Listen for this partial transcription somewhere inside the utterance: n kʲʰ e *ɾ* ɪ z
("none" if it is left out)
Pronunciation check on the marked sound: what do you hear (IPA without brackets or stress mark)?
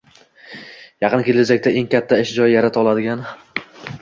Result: l